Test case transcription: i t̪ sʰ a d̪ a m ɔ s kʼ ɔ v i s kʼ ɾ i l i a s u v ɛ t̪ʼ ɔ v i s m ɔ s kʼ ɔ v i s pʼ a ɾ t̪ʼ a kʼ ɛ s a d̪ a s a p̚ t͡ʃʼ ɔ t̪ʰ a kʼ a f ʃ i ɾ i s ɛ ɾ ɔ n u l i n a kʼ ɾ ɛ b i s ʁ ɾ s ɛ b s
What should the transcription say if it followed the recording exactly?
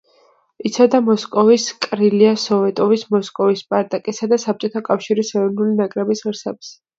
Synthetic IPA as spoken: i t̪ sʰ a d̪ a m ɔ s kʼ ɔ v i s kʼ ɾ i l i a s ɔ v ɛ t̪ʼ ɔ v i s m ɔ s kʼ ɔ v i s pʼ a ɾ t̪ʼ a kʼ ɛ s a d̪ a s a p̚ t͡ʃʼ ɔ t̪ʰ a kʼ a f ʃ i ɾ i s ɛ ɾ ɔ n u l i n a kʼ ɾ ɛ b i s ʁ ɾ s ɛ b s